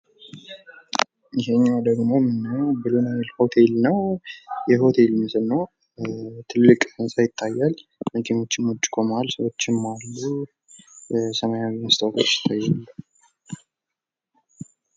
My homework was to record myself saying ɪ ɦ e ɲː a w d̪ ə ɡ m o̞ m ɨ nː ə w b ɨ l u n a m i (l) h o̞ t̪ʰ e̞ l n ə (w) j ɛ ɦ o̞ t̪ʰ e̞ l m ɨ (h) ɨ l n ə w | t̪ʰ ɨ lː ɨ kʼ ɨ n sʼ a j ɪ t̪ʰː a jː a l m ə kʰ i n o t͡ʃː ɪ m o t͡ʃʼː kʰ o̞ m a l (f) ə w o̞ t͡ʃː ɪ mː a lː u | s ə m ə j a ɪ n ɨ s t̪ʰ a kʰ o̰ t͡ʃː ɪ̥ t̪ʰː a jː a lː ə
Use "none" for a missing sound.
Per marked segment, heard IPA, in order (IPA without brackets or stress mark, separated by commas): l, w, s, s